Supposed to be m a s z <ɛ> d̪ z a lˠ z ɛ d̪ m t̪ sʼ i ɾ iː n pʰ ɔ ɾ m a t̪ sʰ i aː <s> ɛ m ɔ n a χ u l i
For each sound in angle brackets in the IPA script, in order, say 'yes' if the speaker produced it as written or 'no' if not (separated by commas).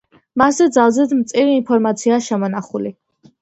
yes, no